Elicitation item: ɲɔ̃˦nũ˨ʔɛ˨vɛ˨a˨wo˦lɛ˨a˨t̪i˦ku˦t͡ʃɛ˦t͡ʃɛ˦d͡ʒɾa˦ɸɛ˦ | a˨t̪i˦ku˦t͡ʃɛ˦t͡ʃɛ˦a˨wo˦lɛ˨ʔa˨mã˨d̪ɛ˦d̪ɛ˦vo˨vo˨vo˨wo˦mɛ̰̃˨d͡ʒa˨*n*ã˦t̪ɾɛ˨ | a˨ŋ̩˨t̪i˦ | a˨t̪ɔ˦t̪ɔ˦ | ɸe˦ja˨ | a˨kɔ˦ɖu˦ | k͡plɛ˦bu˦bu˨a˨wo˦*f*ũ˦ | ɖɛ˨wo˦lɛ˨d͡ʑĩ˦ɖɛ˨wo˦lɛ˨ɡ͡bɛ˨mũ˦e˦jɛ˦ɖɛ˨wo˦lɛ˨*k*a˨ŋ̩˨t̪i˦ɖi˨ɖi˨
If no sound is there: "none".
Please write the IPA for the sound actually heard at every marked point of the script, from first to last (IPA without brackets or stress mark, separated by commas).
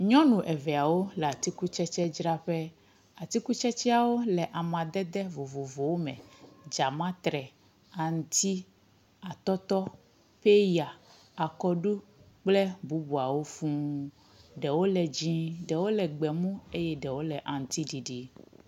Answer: m, f, ʔ